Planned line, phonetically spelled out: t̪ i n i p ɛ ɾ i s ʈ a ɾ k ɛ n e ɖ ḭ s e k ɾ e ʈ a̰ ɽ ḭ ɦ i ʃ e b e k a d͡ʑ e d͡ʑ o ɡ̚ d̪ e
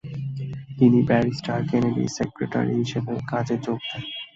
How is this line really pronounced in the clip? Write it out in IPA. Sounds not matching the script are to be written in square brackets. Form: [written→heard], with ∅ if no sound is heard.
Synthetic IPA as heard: t̪ i n i [p→b] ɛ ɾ i s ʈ a ɾ k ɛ n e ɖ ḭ s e k ɾ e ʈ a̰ [ɽ→ɾ] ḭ ɦ i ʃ e b e k a d͡ʑ e d͡ʑ o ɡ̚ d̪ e